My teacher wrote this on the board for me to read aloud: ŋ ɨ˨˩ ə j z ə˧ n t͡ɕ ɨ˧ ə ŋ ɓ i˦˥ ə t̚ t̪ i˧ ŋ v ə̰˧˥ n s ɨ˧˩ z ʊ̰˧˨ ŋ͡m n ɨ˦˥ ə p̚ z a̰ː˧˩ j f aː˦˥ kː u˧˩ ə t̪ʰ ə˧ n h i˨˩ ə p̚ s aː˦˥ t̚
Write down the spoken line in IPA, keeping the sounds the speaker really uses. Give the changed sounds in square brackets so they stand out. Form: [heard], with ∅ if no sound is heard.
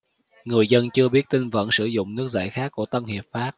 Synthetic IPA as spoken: ŋ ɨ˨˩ ə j z ə˧ n t͡ɕ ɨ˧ ə [∅] ɓ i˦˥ ə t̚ t̪ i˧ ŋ v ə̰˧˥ n s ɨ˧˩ z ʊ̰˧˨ ŋ͡m n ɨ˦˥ ə [k̚] z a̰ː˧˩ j [x] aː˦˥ kː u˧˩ ə [t̪] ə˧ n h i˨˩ ə p̚ [f] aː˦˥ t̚